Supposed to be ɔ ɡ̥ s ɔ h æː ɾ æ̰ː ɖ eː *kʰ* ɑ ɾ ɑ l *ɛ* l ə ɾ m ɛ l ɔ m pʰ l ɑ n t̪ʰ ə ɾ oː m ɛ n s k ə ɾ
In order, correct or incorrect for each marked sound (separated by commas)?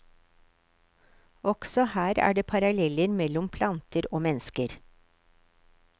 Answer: incorrect, correct